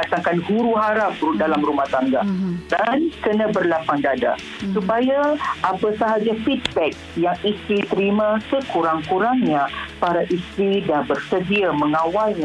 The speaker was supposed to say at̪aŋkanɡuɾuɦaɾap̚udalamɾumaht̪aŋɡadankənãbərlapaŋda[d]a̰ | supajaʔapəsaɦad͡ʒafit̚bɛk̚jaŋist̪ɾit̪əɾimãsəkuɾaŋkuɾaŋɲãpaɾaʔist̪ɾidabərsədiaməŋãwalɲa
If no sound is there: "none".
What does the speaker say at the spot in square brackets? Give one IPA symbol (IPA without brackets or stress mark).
d